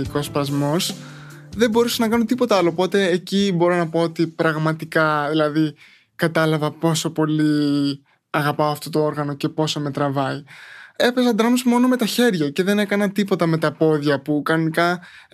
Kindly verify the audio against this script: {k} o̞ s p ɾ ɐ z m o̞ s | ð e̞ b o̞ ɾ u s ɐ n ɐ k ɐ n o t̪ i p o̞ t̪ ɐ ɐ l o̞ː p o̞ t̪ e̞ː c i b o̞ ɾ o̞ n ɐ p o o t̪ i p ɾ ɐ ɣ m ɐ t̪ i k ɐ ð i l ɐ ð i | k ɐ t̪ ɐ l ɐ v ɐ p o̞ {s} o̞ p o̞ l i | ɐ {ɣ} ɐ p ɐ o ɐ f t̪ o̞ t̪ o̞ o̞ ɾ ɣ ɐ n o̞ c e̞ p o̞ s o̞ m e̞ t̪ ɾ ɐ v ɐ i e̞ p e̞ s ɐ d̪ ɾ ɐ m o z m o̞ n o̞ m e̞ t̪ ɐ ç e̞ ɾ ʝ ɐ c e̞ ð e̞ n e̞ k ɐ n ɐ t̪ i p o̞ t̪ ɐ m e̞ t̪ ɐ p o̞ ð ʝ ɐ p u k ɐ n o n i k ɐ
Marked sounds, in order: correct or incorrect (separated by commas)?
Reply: correct, correct, correct